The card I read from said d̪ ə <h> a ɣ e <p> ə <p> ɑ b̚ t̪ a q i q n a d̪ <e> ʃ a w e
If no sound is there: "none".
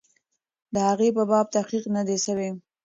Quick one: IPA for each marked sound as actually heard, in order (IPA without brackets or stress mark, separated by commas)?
h, p, b, e